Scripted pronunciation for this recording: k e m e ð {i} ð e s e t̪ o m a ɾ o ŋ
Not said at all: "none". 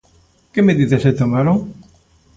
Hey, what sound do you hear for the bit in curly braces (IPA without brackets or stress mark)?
i